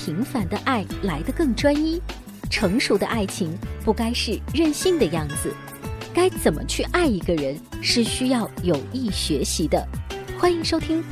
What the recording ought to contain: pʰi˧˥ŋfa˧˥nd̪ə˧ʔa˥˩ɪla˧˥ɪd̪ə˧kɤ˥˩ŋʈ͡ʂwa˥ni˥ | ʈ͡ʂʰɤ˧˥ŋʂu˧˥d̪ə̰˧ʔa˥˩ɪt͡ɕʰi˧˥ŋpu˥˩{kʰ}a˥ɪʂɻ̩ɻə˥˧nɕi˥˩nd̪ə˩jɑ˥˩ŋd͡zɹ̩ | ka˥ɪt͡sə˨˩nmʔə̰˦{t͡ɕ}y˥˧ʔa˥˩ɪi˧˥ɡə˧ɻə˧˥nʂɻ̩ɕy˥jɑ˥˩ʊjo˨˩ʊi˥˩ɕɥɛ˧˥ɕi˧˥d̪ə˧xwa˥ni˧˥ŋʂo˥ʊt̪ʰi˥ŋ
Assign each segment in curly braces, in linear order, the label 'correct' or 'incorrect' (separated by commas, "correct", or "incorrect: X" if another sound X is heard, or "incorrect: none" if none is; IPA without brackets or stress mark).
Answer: incorrect: k, incorrect: t͡ɕʰ